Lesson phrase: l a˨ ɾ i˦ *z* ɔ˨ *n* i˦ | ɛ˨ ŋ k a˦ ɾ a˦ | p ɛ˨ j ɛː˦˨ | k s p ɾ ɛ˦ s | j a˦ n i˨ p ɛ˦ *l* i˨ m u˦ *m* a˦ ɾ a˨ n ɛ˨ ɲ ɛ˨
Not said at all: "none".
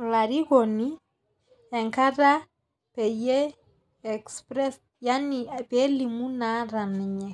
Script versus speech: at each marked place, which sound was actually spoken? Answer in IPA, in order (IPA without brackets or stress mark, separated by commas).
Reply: ɣ, n, l, n